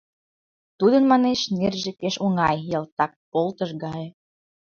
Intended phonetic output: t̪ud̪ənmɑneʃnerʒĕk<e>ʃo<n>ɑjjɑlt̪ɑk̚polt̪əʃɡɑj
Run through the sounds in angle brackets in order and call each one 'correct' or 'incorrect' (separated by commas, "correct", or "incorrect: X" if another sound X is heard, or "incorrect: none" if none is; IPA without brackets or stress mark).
correct, incorrect: ŋ